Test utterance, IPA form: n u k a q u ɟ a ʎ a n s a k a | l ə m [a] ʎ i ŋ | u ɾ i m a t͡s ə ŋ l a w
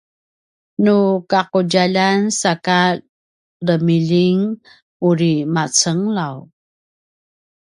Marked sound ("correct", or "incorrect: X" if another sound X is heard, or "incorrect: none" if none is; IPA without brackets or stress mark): incorrect: i